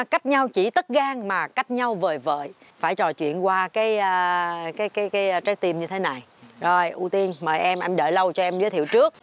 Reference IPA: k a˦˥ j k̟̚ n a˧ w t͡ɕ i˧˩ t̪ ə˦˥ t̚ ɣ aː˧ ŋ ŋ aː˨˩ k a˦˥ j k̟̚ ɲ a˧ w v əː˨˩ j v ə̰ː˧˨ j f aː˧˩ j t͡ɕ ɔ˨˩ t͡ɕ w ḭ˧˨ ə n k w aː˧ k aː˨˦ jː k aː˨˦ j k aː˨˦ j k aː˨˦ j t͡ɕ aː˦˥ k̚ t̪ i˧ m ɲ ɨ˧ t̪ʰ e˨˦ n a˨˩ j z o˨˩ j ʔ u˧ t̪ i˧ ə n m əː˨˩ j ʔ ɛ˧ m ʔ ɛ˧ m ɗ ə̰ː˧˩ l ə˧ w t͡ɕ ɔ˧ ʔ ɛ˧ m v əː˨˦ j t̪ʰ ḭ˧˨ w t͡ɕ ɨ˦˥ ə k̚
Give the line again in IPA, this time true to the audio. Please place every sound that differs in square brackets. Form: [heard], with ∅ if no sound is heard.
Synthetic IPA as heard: k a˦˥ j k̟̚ [ɲ] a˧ w t͡ɕ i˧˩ t̪ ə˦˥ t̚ ɣ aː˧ ŋ [m] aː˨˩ k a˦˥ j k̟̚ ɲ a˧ w v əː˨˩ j v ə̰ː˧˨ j f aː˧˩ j t͡ɕ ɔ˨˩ t͡ɕ w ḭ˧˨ ə n k w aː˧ k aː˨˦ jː k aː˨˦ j k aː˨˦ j k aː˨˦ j t͡ɕ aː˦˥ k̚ t̪ i˧ m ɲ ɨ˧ t̪ʰ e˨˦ n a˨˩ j z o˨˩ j ʔ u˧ t̪ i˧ ə n m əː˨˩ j ʔ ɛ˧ m ʔ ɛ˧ m ɗ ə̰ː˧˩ l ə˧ w t͡ɕ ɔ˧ ʔ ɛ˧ m [z] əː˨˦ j t̪ʰ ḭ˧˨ w t͡ɕ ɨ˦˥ ə k̚